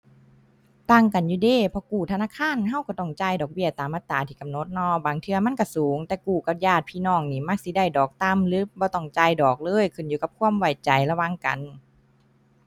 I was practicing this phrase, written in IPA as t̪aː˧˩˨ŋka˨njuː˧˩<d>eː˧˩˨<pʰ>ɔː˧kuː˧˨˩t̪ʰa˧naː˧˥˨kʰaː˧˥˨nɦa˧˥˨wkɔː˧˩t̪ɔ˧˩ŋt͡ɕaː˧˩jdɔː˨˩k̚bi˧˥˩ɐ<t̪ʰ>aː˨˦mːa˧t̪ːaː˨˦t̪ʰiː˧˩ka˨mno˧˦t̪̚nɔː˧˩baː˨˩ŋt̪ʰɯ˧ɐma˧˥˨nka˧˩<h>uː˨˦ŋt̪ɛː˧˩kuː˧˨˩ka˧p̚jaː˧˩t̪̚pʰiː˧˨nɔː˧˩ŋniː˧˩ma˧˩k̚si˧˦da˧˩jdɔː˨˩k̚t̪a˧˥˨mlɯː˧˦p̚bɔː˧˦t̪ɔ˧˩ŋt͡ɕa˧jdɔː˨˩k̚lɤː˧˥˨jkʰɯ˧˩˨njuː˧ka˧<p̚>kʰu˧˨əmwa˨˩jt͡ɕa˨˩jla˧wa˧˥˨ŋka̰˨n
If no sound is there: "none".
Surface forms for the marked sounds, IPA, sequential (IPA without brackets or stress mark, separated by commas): d, pʰ, t̪, s, p̚